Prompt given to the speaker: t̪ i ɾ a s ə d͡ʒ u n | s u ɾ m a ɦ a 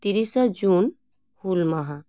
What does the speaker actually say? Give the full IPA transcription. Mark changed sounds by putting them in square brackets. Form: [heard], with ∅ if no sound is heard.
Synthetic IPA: t̪ i ɾ [i] s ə d͡ʒ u n | [h] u [l] m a ɦ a

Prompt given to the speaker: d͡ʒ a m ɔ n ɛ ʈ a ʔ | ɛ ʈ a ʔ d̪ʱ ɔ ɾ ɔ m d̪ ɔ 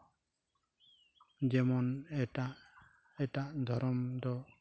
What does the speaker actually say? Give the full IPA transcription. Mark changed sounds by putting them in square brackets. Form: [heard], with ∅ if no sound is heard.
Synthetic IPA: d͡ʒ [ɛ] m ɔ n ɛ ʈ a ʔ | ɛ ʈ a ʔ d̪ʱ ɔ ɾ ɔ m d̪ ɔ

